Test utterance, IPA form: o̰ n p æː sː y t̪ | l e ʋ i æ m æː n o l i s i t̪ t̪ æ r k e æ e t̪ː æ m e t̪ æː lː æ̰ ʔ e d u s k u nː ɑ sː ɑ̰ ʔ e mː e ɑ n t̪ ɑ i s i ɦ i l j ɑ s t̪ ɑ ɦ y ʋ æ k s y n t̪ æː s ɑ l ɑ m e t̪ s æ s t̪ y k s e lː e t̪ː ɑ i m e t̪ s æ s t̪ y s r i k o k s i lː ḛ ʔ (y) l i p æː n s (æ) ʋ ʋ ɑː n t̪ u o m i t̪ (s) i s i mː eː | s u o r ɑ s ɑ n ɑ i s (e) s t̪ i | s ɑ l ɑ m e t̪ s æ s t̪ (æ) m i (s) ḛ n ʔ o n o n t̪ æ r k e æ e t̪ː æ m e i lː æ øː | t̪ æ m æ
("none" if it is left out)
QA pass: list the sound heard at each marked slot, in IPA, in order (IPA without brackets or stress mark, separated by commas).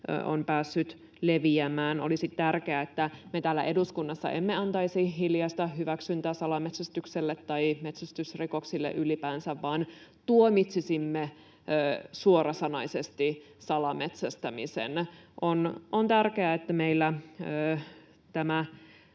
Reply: y, æ, s, e, æ, s